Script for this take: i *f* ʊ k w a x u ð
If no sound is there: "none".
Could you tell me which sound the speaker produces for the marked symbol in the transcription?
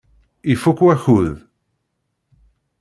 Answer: f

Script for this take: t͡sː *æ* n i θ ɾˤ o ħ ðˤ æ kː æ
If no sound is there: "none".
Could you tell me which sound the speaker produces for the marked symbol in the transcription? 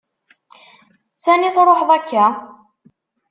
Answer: æ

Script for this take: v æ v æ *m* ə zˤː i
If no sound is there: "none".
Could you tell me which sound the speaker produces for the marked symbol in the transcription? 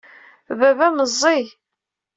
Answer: m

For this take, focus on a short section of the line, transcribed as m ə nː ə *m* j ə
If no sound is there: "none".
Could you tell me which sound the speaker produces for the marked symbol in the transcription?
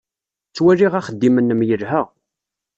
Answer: m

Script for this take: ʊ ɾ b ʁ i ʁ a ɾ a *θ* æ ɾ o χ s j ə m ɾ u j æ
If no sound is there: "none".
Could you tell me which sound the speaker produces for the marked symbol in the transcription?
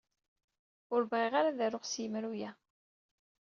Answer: ð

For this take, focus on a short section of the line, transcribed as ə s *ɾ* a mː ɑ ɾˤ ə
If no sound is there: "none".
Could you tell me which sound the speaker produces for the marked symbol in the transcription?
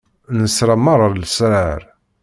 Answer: ɾ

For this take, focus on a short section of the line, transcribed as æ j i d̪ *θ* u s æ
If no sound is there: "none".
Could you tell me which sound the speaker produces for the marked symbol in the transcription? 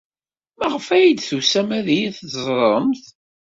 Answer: θ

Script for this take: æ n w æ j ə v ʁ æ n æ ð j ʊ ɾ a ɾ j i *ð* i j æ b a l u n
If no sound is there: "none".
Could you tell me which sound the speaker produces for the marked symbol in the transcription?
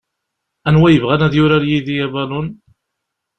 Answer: ð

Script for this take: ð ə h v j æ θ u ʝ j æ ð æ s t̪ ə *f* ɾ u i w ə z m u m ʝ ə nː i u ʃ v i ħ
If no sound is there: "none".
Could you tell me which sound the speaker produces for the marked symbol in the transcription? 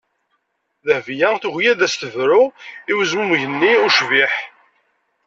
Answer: v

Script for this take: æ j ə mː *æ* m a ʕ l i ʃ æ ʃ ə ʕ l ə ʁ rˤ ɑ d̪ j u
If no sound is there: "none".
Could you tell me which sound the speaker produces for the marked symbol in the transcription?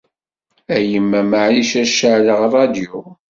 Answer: æ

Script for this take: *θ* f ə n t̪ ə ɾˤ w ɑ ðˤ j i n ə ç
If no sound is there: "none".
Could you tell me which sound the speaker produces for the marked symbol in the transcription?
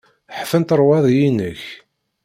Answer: ħ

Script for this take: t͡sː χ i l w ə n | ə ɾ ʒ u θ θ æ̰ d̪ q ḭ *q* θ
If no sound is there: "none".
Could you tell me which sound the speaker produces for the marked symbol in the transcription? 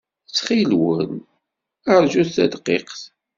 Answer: q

